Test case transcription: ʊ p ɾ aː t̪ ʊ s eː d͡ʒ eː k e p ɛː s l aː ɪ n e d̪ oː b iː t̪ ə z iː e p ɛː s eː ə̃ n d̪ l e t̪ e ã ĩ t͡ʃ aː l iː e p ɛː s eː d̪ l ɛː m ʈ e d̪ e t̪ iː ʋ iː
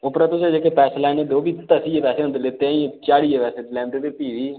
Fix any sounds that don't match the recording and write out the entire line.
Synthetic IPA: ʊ p ɾ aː t̪ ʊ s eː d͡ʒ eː k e p ɛː s l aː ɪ n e d̪ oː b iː t̪ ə s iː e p ɛː s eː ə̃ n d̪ l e t̪ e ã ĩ t͡ʃ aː ɽ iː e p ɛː s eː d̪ l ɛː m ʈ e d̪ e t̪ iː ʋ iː